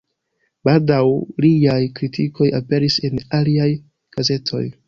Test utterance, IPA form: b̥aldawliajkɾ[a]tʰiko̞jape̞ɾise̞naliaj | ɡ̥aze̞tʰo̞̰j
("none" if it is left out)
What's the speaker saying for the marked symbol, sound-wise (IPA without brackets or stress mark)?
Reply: i